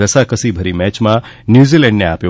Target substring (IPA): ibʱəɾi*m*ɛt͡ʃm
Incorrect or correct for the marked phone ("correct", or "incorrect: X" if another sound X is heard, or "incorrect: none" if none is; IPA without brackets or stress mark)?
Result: correct